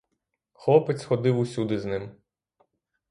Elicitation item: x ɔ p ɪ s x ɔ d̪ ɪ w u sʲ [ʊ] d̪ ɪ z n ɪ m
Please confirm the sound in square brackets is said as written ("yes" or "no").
no